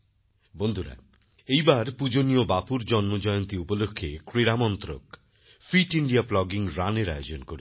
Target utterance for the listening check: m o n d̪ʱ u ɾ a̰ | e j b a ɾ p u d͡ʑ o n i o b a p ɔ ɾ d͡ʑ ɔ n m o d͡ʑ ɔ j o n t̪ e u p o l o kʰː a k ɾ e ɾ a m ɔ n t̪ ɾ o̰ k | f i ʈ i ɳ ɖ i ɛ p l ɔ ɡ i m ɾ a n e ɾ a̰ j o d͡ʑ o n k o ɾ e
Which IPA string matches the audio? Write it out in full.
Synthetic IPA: b o n d̪ʱ u ɾ a̰ | e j b a ɾ p u d͡ʑ o n i o b a p u ɾ d͡ʑ ɔ n m o d͡ʑ ɔ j o n t̪ i u p o l o kʰː e k ɾ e ɾ a m ɔ n t̪ ɾ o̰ k | f i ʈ i ɳ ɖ i a p l ɔ ɡ i ŋ ɾ a n e ɾ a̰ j o d͡ʑ o n k o ɾ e

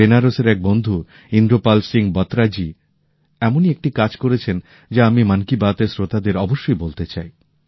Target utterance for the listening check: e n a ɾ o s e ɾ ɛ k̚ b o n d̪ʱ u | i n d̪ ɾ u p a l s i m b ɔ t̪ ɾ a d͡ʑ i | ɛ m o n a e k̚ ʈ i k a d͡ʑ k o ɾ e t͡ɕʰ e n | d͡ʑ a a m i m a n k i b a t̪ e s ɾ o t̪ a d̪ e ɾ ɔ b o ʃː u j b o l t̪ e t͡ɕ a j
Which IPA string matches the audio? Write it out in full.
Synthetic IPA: e n a ɾ o s e ɾ ɛ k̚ b o n d̪ʱ u | i n d̪ ɾ o p a l s i ŋ b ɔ t̪ ɾ a d͡ʑ i | ɛ m o n i e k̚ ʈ i k a d͡ʑ k o ɾ e t͡ɕʰ e n | d͡ʑ a a m i m a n k i b a t̪ e s ɾ o t̪ a d̪ e ɾ ɔ b o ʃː o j b o l t̪ e t͡ɕ a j

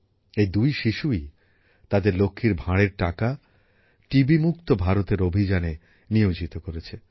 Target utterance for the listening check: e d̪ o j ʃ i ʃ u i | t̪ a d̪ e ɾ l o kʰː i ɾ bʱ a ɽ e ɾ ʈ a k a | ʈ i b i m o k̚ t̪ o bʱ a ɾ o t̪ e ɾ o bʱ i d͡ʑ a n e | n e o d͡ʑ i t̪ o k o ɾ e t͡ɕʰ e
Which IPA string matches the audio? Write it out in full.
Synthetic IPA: e d̪ u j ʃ i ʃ u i | t̪ a d̪ e ɾ l o kʰː i ɾ bʱ a ɽ e ɾ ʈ a k a | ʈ i b i m u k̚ t̪ o bʱ a ɾ o t̪ e ɾ o bʱ i d͡ʑ a n e | n i o d͡ʑ i t̪ o k o ɾ e t͡ɕʰ e

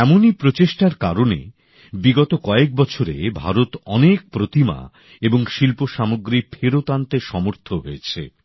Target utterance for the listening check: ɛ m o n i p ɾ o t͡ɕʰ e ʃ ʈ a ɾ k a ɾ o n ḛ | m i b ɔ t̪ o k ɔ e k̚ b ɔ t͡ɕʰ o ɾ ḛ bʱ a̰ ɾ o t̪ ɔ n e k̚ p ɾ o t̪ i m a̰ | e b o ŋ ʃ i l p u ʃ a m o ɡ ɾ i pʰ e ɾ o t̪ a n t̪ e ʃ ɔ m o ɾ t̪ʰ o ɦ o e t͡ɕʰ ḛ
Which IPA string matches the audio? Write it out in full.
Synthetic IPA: ɛ m o n i p ɾ o t͡ɕ e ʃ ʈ a ɾ k a ɾ o n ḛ | b i ɡ ɔ t̪ o k ɔ e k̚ b ɔ t͡ɕʰ o ɾ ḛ bʱ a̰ ɾ o t̪ ɔ n e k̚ p ɾ o t̪ i m a̰ | e b o ŋ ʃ i l p o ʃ a m o ɡ ɾ i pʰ e ɾ o t̪ a n t̪ e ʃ ɔ m o ɾ t̪ʰ o ɦ o e t͡ɕʰ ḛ

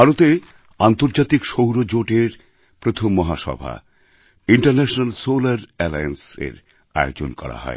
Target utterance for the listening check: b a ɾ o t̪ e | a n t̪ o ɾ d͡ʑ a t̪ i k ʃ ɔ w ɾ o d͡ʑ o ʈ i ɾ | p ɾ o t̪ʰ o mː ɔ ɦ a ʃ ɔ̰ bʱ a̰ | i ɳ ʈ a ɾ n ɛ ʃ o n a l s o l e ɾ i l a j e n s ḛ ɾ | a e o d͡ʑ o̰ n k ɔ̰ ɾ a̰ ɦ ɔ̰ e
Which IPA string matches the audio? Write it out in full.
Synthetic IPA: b a ɾ o t̪ e | a n t̪ o ɾ d͡ʑ a t̪ i k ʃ o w ɾ o d͡ʑ o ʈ e ɾ | p ɾ o t̪ʰ o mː ɔ ɦ a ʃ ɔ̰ bʱ a̰ | i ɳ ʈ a ɾ n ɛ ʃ o n a l s o l a ɾ ɛ l a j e n s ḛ ɾ | a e o d͡ʑ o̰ n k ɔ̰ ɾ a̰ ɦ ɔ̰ e

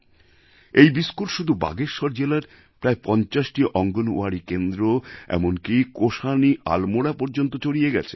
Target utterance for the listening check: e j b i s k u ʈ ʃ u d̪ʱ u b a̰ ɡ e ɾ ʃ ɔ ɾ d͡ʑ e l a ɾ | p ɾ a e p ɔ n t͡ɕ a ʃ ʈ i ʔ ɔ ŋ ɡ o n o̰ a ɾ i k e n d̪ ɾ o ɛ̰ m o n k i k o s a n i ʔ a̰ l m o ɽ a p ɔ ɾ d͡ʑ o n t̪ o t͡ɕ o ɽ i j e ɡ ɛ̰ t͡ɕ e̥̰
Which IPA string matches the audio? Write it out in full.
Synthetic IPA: e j b i s k u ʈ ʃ u d̪ʱ u b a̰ ɡ e ɾ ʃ ɔ ɾ d͡ʑ e l a ɾ | p ɾ a e p ɔ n t͡ɕ a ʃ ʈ i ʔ ɔ ŋ ɡ o n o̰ a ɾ i k e n d̪ ɾ o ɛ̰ m o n k i k o ʃ a n i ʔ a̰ l m o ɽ a p ɔ ɾ d͡ʑ o n t̪ o t͡ɕ o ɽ i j e ɡ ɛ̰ t͡ɕʰ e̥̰

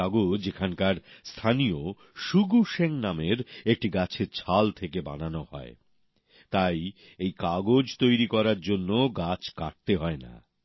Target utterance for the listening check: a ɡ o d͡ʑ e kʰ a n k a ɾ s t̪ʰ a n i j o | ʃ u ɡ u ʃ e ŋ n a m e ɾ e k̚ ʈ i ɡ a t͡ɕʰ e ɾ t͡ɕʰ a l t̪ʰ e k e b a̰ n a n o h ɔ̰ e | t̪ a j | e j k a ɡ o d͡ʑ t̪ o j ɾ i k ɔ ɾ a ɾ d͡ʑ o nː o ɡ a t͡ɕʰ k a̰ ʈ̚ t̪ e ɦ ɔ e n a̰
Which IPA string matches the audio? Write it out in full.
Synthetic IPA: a ɡ o d͡ʑ e kʰ a n k a ɾ s t̪ʰ a n i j o | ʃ u ɡ u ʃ e ŋ n a m e ɾ e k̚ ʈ i ɡ a t͡ɕʰ e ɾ t͡ɕʰ a l t̪ʰ e k e b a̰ n a n o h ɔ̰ e | t̪ a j | e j k a ɡ o d͡ʑ t̪ o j ɾ i k ɔ ɾ a ɾ d͡ʑ o nː o ɡ a t͡ɕʰ k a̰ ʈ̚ t̪ e ɦ ɔ e n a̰

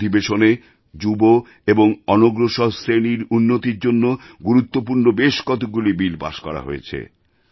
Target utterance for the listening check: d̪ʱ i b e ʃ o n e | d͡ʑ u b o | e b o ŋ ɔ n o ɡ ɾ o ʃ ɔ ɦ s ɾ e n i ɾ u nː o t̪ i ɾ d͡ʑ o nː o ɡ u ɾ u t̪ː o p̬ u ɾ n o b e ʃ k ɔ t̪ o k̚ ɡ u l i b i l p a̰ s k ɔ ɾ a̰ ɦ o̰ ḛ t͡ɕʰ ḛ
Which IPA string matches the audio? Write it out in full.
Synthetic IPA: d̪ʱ i b e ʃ o n e | d͡ʑ u b o | e b o ŋ ɔ n o ɡ ɾ o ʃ ɔ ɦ s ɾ e n i ɾ u nː o t̪ i ɾ d͡ʑ o nː o ɡ u ɾ u t̪ː o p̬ u ɾ n o b e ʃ k ɔ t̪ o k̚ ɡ u l i b i l p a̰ ʃ k ɔ ɾ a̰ ɦ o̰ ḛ t͡ɕʰ ḛ

